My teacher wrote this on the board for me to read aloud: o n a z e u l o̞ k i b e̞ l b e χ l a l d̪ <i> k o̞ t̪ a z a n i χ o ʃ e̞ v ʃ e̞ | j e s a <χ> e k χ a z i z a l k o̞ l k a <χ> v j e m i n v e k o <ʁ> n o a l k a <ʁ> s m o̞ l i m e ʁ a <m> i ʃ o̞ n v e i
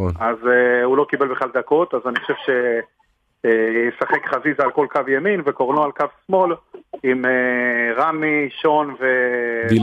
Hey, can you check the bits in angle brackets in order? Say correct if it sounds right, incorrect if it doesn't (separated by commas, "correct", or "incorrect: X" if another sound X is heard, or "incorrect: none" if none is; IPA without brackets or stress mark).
incorrect: a, correct, incorrect: none, correct, incorrect: v, correct